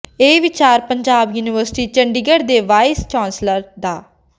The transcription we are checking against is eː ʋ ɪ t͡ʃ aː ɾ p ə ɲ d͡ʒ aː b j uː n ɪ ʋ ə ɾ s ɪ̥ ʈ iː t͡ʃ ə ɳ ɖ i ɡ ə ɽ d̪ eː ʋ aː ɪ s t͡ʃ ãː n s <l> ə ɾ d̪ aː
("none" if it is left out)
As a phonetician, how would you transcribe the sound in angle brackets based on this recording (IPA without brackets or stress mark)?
l